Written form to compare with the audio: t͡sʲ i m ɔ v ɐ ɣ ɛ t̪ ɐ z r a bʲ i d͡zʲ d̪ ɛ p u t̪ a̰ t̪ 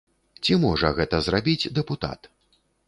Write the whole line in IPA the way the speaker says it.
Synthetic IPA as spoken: t͡sʲ i m ɔ ʐ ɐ ɣ ɛ t̪ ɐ z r a bʲ i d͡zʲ d̪ ɛ p u t̪ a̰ t̪